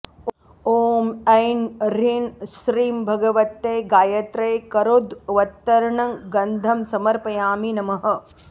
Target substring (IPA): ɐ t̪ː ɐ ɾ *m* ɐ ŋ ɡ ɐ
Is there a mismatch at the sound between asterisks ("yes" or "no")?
yes